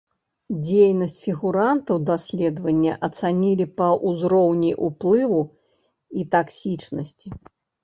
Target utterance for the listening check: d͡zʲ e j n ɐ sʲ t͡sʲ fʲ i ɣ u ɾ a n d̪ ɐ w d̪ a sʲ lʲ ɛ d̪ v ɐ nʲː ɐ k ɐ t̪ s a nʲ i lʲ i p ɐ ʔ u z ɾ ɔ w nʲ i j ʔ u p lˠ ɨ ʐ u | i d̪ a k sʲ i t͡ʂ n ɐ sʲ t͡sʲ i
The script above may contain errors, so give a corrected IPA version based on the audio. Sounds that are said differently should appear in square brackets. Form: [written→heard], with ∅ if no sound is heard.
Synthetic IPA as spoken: d͡zʲ e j n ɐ sʲ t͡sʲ fʲ i ɣ u ɾ a n [d̪→t̪] ɐ w d̪ a sʲ lʲ ɛ d̪ v ɐ nʲː ɐ [k→ʔ] ɐ t̪ s a nʲ i lʲ i p ɐ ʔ u z ɾ ɔ w nʲ i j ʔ u p lˠ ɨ [ʐ→v] u | i [d̪→t̪] a k sʲ i t͡ʂ n ɐ sʲ t͡sʲ i